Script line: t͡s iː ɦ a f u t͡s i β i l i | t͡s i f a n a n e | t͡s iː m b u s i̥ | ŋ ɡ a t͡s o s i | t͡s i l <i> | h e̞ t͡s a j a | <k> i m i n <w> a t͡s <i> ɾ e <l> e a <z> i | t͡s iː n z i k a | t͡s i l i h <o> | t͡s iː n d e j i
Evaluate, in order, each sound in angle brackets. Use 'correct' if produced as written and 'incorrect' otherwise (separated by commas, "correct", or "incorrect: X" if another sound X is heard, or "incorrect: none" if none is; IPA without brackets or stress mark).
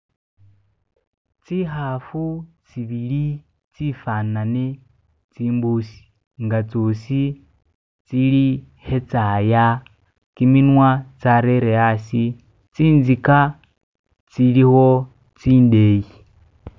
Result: correct, correct, correct, incorrect: a, incorrect: ɾ, incorrect: s, correct